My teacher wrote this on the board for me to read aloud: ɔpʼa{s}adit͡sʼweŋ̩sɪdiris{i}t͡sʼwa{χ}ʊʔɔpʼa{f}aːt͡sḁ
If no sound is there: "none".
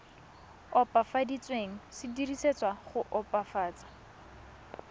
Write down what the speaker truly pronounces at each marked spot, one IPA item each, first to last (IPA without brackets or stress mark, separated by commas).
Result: f, e, χ, f